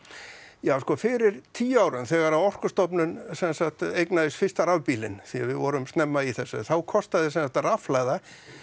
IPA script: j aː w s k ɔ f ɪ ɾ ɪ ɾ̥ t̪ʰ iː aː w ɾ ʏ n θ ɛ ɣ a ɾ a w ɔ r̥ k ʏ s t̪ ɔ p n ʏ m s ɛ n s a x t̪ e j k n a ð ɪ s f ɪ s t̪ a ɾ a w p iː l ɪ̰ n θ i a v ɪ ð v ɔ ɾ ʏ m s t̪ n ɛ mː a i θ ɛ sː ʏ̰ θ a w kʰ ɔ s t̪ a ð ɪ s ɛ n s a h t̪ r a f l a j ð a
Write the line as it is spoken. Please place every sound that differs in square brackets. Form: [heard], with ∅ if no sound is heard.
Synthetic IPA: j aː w s k ɔ f ɪ ɾ ɪ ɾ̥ t̪ʰ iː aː w ɾ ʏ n θ ɛ ɣ a ɾ a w ɔ r̥ k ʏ s t̪ ɔ p n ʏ [n] s ɛ n s a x t̪ e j k n a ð ɪ s f ɪ s t̪ a ɾ a [v] p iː l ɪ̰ n θ i a v ɪ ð v ɔ ɾ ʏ m s t̪ n ɛ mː a i θ ɛ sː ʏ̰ θ a w kʰ ɔ s t̪ a ð ɪ s ɛ n s a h t̪ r a f l a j ð a

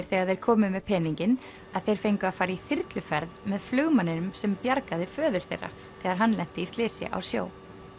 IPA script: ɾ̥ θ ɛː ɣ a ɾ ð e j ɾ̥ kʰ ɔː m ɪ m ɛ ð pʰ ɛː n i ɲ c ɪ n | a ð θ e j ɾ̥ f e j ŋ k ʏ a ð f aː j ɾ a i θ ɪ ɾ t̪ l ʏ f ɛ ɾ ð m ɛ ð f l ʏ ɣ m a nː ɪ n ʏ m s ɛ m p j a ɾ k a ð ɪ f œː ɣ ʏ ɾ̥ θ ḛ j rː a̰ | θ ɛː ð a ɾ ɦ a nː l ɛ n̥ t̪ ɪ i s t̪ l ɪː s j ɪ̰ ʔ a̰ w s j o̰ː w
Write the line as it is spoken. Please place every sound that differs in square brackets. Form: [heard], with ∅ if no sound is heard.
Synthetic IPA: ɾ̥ θ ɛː ɣ a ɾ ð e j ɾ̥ kʰ ɔː m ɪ m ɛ ð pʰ ɛː n i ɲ c ɪ n | a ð θ e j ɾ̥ f e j ŋ k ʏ a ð f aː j ɾ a i θ ɪ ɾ t̪ l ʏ f ɛ ɾ ð m ɛ ð f l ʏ ɣ m a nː ɪ n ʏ m s ɛ m p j a ɾ k a ð ɪ f œː [ð] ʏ ɾ̥ θ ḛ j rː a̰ | θ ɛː [ɣ] a ɾ ɦ a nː l ɛ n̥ t̪ ɪ i s t̪ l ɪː s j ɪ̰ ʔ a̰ w s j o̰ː w

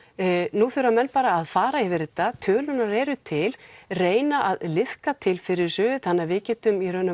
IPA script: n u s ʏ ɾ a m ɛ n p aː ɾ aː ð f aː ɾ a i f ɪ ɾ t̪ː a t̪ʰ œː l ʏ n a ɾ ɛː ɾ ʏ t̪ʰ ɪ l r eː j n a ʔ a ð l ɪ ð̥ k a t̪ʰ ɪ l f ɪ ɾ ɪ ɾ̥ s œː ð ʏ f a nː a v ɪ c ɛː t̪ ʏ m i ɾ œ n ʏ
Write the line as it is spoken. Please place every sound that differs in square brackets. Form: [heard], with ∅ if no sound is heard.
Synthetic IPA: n u [θ] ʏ ɾ a m ɛ n p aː ɾ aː ð f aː ɾ a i [v] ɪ ɾ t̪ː a t̪ʰ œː l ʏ n a ɾ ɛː ɾ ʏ t̪ʰ ɪ l r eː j n a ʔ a ð l ɪ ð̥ k a t̪ʰ ɪ l f ɪ ɾ ɪ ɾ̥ s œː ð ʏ [θ] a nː a v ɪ c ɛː t̪ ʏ m i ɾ œ n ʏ

